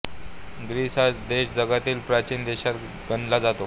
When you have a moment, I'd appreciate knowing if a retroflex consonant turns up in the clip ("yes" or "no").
no